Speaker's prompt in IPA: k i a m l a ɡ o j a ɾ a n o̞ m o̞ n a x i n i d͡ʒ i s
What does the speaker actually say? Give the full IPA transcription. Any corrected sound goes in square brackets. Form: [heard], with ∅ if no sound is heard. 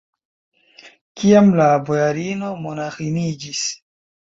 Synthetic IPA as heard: k i a m l a [b] o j a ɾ [i] n o̞ m o̞ n a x i n i d͡ʒ i s